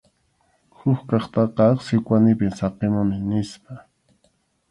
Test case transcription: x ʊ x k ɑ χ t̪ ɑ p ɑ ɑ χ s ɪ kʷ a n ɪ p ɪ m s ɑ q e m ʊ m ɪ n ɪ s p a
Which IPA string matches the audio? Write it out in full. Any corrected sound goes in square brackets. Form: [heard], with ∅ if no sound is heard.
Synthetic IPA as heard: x ʊ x k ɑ χ t̪ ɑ [q] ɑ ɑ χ s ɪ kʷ a n ɪ p ɪ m s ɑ q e m ʊ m ɪ n ɪ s p a